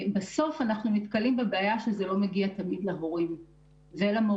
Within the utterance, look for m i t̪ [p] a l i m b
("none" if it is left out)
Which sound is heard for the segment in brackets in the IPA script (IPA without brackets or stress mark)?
k